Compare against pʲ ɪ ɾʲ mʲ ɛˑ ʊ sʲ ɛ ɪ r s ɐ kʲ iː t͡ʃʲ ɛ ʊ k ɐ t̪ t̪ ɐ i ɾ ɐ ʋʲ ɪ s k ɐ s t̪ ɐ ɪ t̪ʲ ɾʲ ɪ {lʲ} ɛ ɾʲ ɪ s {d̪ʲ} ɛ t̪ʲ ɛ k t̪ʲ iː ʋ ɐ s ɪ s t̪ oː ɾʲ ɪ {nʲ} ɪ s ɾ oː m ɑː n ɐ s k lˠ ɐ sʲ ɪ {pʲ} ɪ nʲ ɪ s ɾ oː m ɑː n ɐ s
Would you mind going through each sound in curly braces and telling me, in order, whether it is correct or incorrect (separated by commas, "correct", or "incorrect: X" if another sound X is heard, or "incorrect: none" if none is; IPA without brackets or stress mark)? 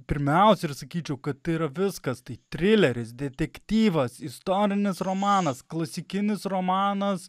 correct, correct, correct, incorrect: kʲ